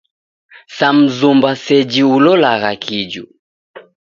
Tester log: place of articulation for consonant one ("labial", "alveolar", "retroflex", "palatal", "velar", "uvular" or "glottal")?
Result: alveolar